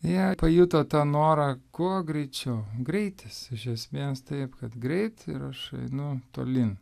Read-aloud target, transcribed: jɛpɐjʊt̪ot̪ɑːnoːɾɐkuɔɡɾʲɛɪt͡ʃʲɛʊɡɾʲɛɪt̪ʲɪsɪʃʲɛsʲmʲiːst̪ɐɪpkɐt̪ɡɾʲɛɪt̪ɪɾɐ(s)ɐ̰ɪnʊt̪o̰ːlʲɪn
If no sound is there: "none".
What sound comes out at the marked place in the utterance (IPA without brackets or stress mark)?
ʃ